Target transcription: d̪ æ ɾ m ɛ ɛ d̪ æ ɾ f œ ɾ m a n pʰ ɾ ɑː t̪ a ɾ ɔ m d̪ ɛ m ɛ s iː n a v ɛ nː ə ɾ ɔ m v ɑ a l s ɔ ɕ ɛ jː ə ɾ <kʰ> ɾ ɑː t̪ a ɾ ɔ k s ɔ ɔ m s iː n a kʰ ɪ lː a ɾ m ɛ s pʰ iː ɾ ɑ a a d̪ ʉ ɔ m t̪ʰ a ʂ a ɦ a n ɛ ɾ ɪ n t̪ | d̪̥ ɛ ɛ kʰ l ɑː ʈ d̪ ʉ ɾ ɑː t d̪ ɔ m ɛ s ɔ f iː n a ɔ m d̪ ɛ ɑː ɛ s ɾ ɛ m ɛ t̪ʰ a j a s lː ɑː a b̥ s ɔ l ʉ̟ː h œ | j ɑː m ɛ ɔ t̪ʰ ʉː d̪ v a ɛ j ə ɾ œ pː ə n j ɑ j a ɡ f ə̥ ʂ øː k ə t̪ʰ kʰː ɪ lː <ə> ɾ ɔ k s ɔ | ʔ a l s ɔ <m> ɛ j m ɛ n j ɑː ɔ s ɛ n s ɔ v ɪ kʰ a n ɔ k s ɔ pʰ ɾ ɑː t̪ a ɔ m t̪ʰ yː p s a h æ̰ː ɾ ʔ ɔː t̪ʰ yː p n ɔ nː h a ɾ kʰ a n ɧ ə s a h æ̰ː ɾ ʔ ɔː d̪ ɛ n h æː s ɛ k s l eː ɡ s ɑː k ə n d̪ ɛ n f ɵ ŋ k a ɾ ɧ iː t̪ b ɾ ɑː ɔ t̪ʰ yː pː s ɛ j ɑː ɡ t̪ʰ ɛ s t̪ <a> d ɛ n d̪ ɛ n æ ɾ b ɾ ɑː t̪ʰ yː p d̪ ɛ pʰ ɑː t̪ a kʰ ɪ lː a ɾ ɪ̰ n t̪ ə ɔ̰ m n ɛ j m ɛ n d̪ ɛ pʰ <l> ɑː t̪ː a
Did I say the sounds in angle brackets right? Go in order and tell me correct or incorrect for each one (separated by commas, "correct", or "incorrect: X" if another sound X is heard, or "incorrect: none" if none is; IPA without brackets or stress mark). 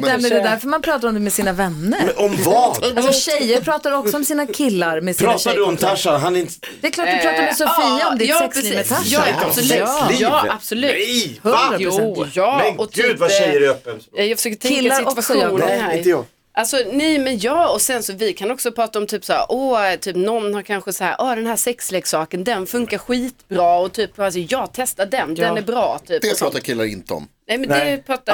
incorrect: pʰ, incorrect: a, incorrect: n, correct, incorrect: ɾ